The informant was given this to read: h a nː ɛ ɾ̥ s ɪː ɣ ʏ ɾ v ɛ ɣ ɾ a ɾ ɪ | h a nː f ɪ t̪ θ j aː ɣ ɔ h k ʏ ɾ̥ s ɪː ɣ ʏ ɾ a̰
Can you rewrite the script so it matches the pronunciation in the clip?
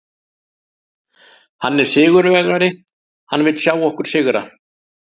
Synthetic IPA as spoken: h a nː ɛ ɾ̥ s ɪː ɣ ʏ ɾ v ɛ ɣ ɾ a ɾ ɪ | h a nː v ɪ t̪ s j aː w ɔ h k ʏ ɾ̥ s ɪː ɣ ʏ ɾ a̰